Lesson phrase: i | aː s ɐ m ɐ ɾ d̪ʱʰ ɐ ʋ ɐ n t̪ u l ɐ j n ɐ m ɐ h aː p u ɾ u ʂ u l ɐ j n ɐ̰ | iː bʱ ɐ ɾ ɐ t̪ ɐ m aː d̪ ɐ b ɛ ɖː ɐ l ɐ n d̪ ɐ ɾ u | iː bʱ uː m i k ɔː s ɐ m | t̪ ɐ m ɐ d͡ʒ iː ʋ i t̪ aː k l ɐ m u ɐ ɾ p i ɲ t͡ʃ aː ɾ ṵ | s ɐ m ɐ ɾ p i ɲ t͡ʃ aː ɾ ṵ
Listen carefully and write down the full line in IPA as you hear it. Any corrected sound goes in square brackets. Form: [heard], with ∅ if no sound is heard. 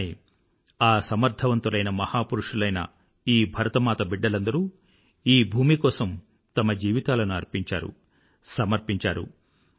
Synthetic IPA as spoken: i | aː s ɐ m ɐ ɾ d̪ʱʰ ɐ ʋ ɐ n t̪ u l ɐ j n ɐ m ɐ h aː p u ɾ u ʂ u l ɐ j n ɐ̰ | iː bʱ ɐ ɾ ɐ t̪ ɐ m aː [t̪] ɐ b [i] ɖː ɐ l ɐ n d̪ ɐ ɾ u | iː bʱ uː m i k ɔː s ɐ m | t̪ ɐ m ɐ d͡ʒ iː ʋ i t̪ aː [∅] l ɐ [n] u ɐ ɾ p i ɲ t͡ʃ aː ɾ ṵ | s ɐ m ɐ ɾ p i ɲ t͡ʃ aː ɾ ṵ